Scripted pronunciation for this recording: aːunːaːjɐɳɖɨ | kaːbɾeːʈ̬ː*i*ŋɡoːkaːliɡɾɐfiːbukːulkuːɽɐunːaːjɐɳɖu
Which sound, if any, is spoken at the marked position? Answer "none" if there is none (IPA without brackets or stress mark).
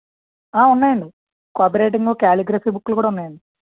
i